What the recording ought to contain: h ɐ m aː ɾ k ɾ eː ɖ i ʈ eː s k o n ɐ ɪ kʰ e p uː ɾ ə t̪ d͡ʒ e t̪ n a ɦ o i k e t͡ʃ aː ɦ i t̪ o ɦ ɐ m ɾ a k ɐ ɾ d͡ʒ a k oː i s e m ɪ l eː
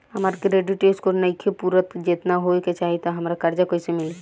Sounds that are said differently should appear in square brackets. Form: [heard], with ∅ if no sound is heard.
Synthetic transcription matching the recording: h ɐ m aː ɾ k ɾ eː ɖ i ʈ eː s k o n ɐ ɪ kʰ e p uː ɾ ə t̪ d͡ʒ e t̪ n a ɦ o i k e t͡ʃ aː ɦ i t̪ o ɦ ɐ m ɾ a k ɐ ɾ d͡ʒ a k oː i s e m ɪ l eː